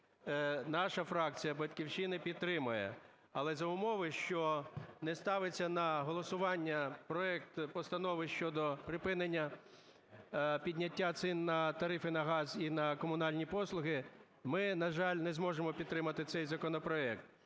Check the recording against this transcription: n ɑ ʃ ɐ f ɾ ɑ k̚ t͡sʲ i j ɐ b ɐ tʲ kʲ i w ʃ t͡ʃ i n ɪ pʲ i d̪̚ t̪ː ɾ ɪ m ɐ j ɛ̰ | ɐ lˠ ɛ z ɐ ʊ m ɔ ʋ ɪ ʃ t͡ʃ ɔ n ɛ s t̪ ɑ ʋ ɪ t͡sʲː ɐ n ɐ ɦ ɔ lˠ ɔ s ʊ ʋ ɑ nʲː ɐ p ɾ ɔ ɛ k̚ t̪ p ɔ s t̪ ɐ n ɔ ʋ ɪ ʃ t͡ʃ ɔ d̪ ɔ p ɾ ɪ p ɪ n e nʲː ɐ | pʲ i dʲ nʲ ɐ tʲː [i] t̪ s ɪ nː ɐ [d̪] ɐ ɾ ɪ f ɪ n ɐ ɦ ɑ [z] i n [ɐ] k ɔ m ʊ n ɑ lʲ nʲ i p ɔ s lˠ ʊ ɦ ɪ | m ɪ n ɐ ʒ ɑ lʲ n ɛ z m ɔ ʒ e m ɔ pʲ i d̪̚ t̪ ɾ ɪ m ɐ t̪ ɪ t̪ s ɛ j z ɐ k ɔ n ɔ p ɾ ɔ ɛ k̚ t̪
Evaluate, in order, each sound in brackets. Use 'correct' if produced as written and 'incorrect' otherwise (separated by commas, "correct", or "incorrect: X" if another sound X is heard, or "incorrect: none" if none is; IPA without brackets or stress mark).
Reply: incorrect: a, incorrect: t̪, correct, correct